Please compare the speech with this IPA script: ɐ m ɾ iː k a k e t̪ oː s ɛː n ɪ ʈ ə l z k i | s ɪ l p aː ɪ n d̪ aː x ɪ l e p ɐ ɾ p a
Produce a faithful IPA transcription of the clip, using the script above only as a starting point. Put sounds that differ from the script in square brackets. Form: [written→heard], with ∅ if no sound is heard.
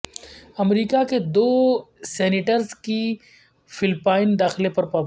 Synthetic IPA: ɐ m ɾ iː k a k e [t̪→d̪] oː s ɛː n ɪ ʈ ə [l→ɾ] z k i | [s→f] ɪ l p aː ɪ n d̪ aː x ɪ l e p ɐ ɾ p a